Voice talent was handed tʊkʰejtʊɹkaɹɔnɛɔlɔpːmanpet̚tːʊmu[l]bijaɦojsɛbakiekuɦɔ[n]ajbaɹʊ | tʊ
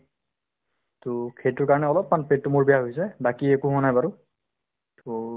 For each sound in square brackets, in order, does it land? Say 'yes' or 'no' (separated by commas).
no, yes